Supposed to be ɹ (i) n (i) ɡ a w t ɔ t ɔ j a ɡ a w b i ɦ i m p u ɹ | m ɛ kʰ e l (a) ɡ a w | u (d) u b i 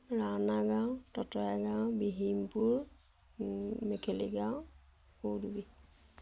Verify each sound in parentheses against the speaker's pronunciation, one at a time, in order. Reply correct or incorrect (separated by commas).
incorrect, incorrect, incorrect, correct